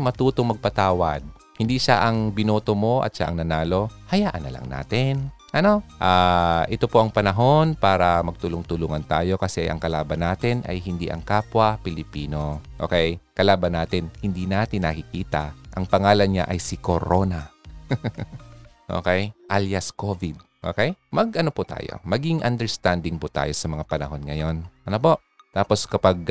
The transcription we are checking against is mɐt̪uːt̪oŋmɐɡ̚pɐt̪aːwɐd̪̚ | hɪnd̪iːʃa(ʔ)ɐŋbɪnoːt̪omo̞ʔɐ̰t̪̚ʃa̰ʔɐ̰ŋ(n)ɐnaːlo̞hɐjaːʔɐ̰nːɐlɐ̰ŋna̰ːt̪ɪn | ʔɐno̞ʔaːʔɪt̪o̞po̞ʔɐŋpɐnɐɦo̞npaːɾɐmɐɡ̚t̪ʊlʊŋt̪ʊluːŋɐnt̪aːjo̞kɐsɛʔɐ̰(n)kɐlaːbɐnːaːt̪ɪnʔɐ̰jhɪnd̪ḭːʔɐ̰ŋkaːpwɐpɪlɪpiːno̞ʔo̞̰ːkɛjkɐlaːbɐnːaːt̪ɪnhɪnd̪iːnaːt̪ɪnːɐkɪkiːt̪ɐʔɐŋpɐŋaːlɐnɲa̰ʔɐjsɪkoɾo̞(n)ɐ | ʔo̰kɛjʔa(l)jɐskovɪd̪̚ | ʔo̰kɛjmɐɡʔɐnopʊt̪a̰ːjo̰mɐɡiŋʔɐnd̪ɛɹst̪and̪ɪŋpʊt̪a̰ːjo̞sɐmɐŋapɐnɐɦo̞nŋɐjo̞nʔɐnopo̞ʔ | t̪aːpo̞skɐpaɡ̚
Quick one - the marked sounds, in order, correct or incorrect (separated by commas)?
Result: correct, correct, incorrect, correct, correct